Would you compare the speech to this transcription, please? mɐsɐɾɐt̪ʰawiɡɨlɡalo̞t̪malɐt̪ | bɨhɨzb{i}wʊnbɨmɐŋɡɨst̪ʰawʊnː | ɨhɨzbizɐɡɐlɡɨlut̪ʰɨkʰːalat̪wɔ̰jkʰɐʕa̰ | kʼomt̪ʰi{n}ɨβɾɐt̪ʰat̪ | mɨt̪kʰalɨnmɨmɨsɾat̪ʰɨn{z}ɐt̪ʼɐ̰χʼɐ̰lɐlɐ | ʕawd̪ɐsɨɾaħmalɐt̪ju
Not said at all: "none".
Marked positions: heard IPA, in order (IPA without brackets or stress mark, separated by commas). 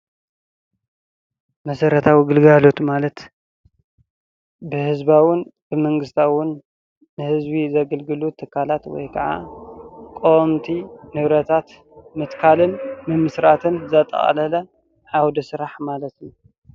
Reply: a, n, z